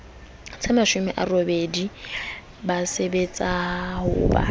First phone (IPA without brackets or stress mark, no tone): t͡sʰ